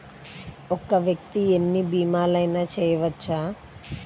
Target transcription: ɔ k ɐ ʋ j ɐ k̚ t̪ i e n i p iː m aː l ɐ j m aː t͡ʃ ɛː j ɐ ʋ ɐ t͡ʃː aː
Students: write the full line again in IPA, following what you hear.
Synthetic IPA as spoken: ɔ k ɐ ʋ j ɐ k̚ t̪ i e nː i b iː m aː l ɐ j n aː t͡ʃ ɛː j ɐ ʋ ɐ t͡ʃː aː